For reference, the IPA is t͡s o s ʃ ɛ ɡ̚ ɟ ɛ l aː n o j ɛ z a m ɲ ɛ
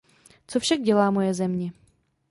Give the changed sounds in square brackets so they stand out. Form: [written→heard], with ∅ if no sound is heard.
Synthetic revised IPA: t͡s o [s→f] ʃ [ɛ→a] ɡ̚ ɟ ɛ l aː [n→m] o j ɛ z [a→ɛ] m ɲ ɛ